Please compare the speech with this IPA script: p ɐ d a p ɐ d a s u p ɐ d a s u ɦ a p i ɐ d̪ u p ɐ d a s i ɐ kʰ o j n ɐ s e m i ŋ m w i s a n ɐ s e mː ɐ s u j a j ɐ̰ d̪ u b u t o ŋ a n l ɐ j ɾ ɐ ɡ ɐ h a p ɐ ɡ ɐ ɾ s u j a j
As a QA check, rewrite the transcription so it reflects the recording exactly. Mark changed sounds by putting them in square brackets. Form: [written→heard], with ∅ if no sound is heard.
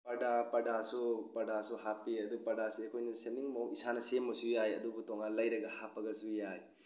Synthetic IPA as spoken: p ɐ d a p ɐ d a s u p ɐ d a s u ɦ a p i ɐ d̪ u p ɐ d a s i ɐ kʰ o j n ɐ s e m i ŋ m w i s a n ɐ s e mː ɐ s u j a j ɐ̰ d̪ u b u t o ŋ a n l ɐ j ɾ ɐ ɡ ɐ h a p ɐ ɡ ɐ [ɾ→∅] s u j a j